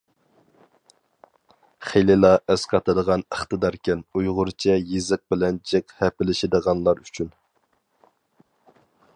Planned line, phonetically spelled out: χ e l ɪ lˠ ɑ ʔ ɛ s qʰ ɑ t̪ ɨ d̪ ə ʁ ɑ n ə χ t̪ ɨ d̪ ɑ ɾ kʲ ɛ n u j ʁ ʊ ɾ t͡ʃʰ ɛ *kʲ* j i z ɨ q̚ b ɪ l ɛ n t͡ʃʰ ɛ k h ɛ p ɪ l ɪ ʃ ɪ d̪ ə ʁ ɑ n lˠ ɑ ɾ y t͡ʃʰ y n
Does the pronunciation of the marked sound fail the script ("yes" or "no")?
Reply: yes